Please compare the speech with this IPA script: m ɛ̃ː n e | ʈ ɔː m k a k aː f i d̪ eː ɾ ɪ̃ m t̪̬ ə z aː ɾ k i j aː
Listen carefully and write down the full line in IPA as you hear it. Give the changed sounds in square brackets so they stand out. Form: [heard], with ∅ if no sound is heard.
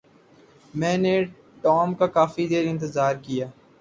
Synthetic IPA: m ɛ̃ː n e | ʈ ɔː m k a k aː f i d̪ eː ɾ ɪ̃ [n] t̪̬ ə z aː ɾ k i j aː